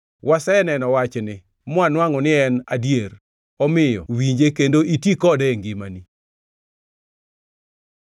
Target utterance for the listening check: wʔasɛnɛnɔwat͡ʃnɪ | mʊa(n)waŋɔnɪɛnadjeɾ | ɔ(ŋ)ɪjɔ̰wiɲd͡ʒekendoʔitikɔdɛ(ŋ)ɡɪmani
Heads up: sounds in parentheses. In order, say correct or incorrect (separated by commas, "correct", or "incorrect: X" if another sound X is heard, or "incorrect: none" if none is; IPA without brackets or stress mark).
correct, incorrect: m, correct